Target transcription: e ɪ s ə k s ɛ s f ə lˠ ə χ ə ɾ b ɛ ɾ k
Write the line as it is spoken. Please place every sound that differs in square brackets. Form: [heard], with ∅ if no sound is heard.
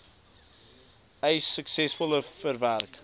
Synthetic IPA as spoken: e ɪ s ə k s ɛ s f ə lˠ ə [f] ə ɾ [v] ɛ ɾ k